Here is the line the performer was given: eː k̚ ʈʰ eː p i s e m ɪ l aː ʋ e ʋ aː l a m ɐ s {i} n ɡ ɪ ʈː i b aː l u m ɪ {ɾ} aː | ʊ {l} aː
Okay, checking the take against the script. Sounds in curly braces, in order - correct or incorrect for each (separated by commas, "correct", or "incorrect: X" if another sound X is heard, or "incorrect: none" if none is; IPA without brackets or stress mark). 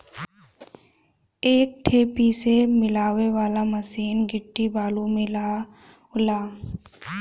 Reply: incorrect: iː, incorrect: l, correct